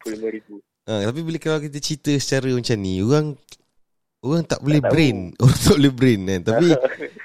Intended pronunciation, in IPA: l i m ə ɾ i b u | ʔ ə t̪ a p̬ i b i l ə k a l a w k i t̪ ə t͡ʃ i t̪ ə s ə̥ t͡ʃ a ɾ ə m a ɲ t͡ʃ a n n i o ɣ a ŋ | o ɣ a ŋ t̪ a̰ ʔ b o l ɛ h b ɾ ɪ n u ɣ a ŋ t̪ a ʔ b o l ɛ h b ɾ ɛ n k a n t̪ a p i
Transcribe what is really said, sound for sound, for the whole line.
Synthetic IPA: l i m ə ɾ i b u | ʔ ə t̪ a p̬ i b i l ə k a l a w k i t̪ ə t͡ʃ i t̪ ə s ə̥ t͡ʃ a ɾ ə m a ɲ t͡ʃ a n n i o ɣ a ŋ | o ɣ a ŋ t̪ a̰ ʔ b o l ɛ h b ɾ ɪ n o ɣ a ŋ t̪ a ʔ b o l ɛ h b ɾ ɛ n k a n t̪ a p i